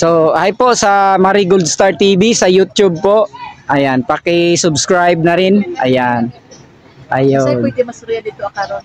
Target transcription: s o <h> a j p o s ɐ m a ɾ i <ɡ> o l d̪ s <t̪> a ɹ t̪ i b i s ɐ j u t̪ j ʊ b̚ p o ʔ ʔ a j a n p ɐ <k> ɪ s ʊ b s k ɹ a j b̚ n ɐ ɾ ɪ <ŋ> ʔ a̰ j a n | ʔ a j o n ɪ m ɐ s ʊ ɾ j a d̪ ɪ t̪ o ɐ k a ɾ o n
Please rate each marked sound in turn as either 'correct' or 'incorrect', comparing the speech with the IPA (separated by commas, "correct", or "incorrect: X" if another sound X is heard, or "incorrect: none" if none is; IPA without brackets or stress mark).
correct, correct, correct, correct, incorrect: n